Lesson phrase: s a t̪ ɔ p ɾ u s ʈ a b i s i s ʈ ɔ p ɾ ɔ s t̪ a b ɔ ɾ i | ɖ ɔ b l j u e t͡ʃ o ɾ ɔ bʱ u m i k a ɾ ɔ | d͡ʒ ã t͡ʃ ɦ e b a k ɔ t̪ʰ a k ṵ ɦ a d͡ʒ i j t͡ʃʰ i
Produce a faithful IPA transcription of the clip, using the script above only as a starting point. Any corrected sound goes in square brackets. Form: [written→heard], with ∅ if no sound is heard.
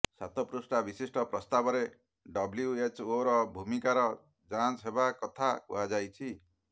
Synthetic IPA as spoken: s a t̪ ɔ p ɾ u s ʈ a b i s i s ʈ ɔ p ɾ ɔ s t̪ a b ɔ ɾ [i→e] | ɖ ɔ b l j u e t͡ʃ o ɾ ɔ bʱ u m i k a ɾ ɔ | d͡ʒ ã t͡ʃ ɦ e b a k ɔ t̪ʰ a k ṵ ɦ a d͡ʒ [i→a] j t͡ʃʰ i